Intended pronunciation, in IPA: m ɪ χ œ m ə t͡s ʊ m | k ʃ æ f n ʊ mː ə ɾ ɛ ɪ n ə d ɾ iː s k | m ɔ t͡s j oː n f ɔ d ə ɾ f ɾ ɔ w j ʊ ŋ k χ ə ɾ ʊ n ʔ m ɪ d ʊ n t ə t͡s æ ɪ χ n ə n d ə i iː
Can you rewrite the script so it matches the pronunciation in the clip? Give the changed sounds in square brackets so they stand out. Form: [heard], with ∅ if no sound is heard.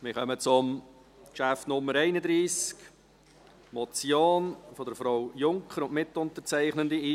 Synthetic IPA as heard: m ɪ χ œ m ə t͡s ʊ m | k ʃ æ f n ʊ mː ə ɾ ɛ ɪ n ə d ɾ iː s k | m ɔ t͡s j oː n f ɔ d ə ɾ f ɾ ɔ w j ʊ ŋ k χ ə ɾ ʊ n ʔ m ɪ [t] ʊ n t ə t͡s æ ɪ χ n ə n d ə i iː